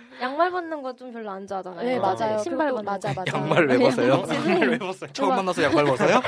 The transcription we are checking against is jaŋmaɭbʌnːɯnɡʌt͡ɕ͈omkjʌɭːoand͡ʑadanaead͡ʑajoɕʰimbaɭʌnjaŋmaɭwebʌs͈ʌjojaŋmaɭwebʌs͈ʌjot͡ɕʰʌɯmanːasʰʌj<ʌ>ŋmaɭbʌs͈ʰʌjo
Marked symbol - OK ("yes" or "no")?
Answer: no